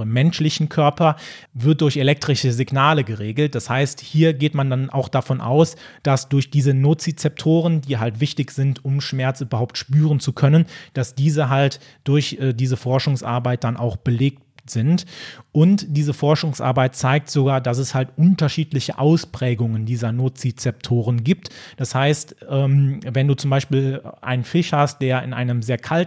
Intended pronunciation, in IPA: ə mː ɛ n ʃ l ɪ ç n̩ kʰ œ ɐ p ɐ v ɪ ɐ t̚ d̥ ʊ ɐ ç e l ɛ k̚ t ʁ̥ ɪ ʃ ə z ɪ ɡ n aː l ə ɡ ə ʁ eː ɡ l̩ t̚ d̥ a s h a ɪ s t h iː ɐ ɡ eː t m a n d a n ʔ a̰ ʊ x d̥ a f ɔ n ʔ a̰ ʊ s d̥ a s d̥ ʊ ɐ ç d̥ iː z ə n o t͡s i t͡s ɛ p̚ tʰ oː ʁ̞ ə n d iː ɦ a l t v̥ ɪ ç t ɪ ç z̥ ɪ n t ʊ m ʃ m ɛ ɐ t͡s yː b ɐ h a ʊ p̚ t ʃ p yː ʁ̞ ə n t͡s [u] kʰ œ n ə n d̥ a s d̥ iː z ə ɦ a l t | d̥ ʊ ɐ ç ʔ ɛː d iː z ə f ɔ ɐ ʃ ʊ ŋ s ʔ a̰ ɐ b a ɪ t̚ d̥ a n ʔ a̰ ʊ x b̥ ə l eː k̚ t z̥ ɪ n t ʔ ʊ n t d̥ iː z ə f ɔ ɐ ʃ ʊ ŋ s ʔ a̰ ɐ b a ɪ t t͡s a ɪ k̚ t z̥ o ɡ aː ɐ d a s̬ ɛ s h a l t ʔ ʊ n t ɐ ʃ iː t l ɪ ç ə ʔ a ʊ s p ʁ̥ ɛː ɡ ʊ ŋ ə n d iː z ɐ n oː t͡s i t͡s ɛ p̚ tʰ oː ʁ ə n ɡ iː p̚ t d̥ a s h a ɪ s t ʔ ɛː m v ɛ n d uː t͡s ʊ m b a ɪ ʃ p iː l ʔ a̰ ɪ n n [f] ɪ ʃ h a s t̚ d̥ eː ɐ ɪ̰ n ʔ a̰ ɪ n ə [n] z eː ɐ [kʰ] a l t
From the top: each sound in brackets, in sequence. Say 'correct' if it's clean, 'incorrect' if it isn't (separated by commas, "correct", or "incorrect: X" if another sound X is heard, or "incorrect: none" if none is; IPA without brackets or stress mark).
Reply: correct, correct, incorrect: m, correct